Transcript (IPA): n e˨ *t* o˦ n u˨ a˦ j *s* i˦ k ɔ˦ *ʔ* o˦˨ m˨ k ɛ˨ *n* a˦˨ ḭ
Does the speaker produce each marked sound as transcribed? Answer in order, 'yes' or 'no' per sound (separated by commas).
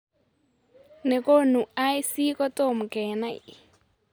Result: no, yes, no, yes